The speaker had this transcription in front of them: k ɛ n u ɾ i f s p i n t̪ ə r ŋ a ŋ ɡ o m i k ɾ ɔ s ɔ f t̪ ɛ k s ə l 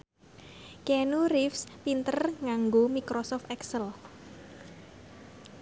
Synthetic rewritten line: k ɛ n u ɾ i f s p i n t̪ ə r ŋ a ŋ ɡ o m i k ɾ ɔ s ɔ f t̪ ɛ k s ə l

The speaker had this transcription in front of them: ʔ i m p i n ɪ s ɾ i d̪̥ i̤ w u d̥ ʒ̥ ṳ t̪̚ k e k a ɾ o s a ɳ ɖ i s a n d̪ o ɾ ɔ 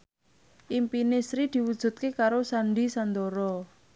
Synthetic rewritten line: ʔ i m p i n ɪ s ɾ i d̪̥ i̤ w u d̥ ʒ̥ ṳ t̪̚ k e k a ɾ o s a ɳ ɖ i s a n d̪ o ɾ ɔ

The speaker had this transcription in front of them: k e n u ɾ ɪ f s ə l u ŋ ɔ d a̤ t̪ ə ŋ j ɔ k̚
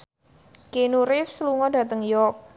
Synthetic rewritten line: k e n u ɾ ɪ f s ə l u ŋ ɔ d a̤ t̪ ə ŋ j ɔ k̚

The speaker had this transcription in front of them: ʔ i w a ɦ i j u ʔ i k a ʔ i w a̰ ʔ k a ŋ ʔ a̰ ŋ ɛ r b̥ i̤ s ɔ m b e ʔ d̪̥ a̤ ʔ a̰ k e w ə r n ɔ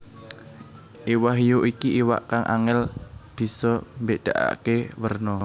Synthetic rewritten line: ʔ i w a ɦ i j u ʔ i k i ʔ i w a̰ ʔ k a ŋ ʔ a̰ ŋ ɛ l b̥ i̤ s ɔ m b e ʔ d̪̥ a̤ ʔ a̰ k e w ə r n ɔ

